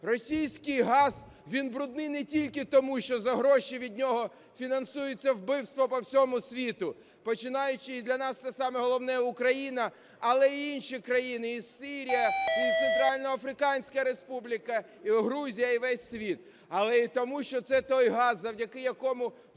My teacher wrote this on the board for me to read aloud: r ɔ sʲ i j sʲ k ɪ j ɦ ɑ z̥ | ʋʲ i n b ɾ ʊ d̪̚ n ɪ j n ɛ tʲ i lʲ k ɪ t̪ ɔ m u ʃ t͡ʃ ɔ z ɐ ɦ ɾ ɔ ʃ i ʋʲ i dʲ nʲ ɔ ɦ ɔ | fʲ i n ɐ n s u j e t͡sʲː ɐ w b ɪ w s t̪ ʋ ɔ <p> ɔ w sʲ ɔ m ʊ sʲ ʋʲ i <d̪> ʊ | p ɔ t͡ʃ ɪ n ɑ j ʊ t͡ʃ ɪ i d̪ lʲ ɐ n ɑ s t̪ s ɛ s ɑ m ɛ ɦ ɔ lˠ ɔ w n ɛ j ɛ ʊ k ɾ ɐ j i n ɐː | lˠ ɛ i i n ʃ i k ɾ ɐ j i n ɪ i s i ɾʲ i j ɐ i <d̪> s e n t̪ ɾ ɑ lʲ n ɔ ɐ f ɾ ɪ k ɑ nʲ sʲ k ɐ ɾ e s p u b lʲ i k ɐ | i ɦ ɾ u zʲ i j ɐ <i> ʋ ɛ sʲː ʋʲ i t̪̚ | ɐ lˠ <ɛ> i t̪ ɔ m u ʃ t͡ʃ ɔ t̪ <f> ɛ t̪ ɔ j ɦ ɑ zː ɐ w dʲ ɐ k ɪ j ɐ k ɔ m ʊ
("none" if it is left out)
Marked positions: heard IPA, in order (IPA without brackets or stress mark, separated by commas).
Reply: p, t̪, t̪, i, ɛ, s